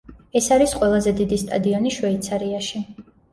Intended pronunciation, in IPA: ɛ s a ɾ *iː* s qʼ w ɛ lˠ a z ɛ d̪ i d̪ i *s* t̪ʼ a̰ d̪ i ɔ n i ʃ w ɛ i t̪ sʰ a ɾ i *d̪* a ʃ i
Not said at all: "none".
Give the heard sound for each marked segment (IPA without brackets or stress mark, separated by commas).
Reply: i, s, none